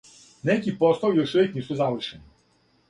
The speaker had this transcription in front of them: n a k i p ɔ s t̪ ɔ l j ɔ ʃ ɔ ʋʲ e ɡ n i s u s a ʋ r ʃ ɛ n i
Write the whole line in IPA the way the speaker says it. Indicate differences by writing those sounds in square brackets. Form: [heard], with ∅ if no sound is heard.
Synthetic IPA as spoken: n [ɛ] k i p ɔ s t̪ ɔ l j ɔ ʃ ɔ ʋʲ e [k] n i s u [z] a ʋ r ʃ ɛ n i